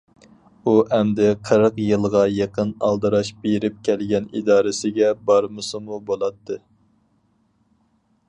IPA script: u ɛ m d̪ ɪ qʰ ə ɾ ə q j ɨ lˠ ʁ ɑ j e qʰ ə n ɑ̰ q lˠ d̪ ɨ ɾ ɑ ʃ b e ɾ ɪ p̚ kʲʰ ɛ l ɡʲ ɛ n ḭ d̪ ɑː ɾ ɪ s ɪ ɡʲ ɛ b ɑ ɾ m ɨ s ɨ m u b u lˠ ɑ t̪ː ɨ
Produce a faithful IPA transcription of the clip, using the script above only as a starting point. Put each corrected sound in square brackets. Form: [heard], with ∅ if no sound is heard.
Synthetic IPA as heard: u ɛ m d̪ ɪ qʰ ə ɾ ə q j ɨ lˠ ʁ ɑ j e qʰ ə n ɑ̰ [∅] lˠ d̪ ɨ ɾ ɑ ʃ b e ɾ ɪ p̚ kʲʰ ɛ l ɡʲ ɛ n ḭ d̪ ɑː ɾ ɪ s ɪ ɡʲ ɛ b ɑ ɾ m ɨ s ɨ m u b [o] lˠ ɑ t̪ː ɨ